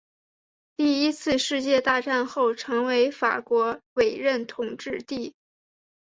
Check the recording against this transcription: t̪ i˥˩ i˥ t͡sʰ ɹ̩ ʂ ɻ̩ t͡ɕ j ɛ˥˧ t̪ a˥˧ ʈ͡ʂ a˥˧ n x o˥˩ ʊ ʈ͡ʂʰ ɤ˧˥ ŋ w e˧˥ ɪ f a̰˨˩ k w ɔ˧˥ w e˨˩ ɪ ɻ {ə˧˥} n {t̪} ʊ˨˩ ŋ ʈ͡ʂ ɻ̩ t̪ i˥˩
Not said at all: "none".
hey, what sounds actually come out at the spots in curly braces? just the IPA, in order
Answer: ə˥˩, t̪ʰ

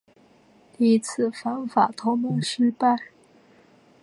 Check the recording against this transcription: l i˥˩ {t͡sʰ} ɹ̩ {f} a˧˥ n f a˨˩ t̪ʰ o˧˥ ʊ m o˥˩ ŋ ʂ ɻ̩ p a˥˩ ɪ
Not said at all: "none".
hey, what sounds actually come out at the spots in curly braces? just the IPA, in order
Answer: t͡sʰ, f

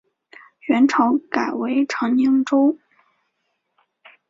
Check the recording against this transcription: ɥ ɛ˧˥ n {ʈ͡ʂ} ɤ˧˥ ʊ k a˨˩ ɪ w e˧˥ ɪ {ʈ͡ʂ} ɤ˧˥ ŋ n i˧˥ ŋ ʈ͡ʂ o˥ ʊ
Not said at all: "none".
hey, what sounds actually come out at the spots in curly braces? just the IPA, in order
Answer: ʈ͡ʂʰ, ʈ͡ʂʰ

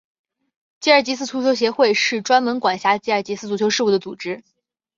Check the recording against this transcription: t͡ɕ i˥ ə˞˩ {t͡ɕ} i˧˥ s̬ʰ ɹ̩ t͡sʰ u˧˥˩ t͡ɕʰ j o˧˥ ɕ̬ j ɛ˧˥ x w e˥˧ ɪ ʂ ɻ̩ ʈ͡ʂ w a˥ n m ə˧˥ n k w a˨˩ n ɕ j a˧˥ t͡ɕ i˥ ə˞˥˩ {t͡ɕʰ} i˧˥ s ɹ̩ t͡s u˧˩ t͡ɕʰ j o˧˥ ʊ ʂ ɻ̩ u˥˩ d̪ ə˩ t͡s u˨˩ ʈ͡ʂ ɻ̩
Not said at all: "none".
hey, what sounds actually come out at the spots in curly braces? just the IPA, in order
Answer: t͡ɕ, t͡ɕ

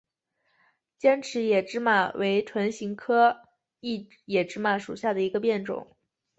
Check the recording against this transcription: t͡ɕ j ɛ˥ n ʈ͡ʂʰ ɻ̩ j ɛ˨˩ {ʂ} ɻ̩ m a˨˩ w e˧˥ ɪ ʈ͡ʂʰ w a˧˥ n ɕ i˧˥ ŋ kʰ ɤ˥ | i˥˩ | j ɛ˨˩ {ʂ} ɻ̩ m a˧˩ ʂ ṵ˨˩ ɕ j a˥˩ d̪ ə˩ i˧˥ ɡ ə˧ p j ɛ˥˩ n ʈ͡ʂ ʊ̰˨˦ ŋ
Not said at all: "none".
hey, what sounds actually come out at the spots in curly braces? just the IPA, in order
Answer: ʈ͡ʂ, ʈ͡ʂ

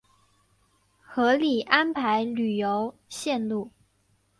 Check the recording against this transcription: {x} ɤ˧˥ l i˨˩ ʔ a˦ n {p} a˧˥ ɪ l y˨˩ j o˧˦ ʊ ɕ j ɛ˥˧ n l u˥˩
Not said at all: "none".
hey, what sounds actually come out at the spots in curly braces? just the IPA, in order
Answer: x, pʰ

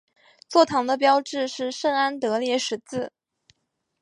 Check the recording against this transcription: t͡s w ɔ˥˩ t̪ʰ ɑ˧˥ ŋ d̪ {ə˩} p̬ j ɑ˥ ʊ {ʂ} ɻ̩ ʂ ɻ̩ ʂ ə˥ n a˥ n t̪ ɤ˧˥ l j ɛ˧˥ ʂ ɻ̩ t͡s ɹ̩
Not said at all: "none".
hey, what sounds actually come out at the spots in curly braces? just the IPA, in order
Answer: ə˧, ʈ͡ʂ

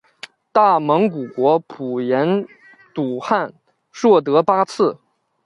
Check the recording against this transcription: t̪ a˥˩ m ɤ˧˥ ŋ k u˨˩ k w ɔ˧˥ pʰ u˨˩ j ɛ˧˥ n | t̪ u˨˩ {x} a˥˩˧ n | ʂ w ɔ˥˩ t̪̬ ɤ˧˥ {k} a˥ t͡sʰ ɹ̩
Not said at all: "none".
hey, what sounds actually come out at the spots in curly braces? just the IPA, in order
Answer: x, p

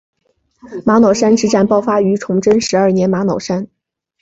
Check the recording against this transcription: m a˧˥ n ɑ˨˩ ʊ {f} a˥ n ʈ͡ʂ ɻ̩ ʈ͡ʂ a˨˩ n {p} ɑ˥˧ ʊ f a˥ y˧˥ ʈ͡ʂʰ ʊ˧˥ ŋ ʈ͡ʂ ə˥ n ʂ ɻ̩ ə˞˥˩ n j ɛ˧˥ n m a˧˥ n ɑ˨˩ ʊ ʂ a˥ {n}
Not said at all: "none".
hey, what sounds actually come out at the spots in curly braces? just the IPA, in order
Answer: ʂ, p, n

